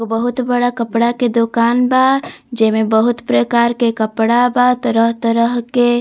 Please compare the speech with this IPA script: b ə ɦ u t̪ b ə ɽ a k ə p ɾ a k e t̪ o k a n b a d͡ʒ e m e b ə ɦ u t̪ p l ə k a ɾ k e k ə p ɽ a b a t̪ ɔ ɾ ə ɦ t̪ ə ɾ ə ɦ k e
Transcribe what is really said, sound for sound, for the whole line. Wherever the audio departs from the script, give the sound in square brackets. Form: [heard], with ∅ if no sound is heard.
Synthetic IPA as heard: b ə ɦ u t̪ b ə ɽ a k ə p [ɽ] a k e [d̪] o k a n b a d͡ʒ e m e b ə ɦ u t̪ p [ɾ] ə k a ɾ k e k ə p ɽ a b a t̪ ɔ ɾ ə ɦ t̪ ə ɾ ə ɦ k e